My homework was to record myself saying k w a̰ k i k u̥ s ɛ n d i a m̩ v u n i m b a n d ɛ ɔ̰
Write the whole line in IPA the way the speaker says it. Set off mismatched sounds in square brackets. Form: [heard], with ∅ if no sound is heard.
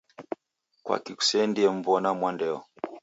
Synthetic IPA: k w a̰ k i k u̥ s ɛ n d i [ɛ] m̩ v [ɔ] n [a] m [w] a n d ɛ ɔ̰